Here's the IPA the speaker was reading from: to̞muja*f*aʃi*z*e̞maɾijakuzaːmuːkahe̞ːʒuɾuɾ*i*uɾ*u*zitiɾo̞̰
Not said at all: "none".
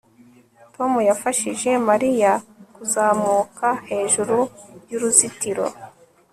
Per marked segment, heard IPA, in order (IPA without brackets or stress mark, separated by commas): f, ʒ, j, u